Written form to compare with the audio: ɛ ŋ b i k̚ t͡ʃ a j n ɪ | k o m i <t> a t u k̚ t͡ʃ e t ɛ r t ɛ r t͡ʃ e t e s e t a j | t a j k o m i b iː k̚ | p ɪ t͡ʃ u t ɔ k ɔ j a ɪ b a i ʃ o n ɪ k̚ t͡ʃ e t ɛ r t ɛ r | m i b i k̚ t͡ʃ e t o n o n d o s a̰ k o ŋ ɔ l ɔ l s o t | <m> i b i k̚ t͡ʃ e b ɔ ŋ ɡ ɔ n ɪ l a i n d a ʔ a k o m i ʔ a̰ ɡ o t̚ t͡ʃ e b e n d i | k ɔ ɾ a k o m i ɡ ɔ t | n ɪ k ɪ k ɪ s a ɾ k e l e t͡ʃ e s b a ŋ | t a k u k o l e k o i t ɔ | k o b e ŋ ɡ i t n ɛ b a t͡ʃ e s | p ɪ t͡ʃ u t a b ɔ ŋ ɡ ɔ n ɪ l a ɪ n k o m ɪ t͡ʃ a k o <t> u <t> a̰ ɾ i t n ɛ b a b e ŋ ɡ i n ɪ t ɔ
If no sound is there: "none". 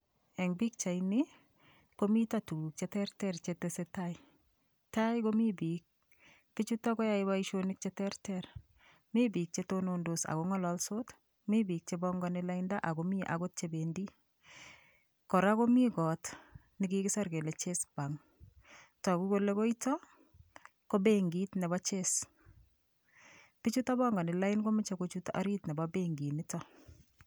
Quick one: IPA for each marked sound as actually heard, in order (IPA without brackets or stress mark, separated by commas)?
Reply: t, m, t͡ʃ, t